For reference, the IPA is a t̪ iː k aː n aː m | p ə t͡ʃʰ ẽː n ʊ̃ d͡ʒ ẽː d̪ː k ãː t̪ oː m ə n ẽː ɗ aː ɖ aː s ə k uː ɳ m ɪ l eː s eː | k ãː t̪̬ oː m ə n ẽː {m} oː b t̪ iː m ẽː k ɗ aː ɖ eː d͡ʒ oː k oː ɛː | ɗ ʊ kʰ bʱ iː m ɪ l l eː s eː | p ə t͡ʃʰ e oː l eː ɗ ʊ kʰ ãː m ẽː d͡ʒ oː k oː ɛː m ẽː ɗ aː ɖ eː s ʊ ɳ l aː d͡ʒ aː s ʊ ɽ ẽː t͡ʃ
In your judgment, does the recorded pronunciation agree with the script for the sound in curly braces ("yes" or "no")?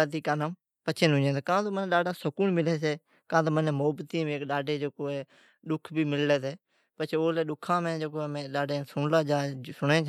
yes